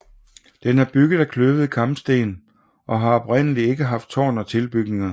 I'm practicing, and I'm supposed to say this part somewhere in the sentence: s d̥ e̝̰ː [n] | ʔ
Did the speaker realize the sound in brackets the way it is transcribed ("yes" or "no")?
yes